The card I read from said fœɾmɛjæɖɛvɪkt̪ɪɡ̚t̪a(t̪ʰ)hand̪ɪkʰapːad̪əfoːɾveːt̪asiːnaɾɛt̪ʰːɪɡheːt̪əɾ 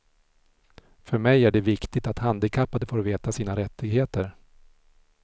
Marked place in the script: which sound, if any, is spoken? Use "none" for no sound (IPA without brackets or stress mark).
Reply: t̪